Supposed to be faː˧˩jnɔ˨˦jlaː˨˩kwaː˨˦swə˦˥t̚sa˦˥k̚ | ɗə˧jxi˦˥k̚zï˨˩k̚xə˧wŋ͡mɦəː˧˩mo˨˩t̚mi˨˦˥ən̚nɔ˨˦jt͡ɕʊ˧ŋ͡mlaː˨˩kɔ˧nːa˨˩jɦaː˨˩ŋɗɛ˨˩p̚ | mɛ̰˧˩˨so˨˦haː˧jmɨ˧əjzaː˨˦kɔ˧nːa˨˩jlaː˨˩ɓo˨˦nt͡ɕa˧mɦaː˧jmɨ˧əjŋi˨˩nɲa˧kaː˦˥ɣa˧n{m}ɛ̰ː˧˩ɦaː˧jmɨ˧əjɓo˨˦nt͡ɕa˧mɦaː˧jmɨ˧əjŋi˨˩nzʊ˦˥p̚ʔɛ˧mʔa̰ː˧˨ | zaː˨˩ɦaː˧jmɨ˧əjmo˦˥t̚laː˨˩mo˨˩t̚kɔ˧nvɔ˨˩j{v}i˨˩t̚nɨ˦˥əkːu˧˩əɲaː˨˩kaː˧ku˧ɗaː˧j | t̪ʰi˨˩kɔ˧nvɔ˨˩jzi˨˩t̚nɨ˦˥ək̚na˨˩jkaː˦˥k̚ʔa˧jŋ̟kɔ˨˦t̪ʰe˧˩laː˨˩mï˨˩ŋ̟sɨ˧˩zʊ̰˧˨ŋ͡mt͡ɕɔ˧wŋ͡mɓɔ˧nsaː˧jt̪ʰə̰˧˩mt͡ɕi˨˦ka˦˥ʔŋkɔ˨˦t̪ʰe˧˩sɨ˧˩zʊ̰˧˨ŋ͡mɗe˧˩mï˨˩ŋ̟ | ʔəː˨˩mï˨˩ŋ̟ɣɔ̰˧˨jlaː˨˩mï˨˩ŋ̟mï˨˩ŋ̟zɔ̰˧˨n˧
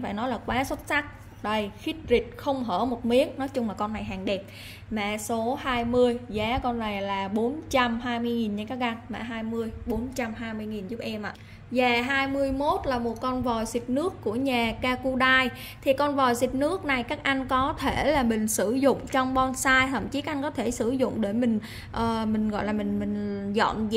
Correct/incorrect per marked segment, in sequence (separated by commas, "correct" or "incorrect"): correct, incorrect